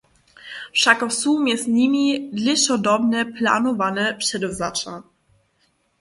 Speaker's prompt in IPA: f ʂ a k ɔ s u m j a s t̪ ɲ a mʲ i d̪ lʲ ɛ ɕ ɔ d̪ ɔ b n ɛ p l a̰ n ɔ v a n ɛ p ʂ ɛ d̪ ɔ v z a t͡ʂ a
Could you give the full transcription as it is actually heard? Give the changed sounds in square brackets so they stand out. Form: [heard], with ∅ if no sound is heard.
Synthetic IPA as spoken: f ʂ a k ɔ s u m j [ɛ] s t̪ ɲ [i] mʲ i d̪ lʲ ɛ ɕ ɔ d̪ ɔ b n ɛ p l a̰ n ɔ v a n ɛ p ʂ ɛ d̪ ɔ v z a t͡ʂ a